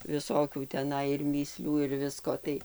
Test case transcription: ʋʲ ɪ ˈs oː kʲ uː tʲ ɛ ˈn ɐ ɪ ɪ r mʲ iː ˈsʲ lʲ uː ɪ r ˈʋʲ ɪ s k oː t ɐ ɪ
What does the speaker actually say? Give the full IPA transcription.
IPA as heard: ʋʲ ɪ ˈs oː kʲ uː tʲ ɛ ˈn ɐ ɪ ɪ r mʲ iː ˈsʲ lʲ uː ɪ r ˈʋʲ ɪ s k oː t ɐ ɪ